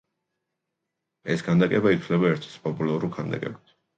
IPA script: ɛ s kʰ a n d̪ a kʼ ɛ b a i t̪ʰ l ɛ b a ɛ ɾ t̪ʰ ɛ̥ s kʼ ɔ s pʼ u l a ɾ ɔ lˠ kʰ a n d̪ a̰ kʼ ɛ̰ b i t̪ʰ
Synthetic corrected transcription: ɛ s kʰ a n d̪ a kʼ ɛ b a i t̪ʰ l ɛ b a ɛ ɾ t̪ʰ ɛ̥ s pʼ ɔ pʼ u l a ɾ u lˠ kʰ a n d̪ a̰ kʼ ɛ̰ b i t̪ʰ